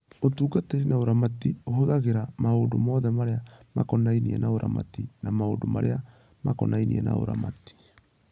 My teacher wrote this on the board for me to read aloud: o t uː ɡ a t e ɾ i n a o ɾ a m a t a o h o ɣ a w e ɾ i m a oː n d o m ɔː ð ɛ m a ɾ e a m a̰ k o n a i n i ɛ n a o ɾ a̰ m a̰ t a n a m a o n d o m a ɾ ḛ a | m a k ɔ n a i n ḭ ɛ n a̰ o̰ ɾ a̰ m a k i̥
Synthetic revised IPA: o t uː ɡ a t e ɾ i n a o ɾ a m a t i o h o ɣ a ɣ e ɾ a m a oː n d o m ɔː ð ɛ m a ɾ e a m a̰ k ɔ n a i n i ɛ n a o ɾ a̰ m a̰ t i n a m a o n d o m a ɾ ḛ a | m a k ɔ n a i n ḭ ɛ n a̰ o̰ ɾ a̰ m a t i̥